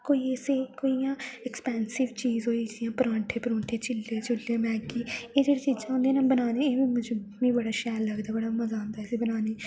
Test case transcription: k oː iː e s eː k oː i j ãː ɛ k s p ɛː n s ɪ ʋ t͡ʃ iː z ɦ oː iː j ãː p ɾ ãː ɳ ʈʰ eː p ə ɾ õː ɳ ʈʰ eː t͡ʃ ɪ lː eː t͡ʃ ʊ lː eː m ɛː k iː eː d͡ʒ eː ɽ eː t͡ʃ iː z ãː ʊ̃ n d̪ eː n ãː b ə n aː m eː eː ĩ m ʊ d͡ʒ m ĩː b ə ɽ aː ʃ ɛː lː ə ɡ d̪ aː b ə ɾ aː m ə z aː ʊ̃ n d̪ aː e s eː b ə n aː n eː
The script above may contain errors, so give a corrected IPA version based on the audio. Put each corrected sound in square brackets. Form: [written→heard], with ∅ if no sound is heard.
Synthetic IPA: k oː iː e s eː k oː i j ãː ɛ k s p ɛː n s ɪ ʋ t͡ʃ iː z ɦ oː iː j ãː p ɾ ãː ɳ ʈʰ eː p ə ɾ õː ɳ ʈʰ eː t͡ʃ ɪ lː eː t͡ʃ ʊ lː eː m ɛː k iː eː d͡ʒ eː ɽ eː t͡ʃ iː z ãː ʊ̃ n d̪ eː n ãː b ə n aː [m→n] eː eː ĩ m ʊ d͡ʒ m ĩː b ə ɽ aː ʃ ɛː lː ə ɡ d̪ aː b ə [ɾ→ɽ] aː m ə z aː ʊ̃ n d̪ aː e s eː b ə n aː n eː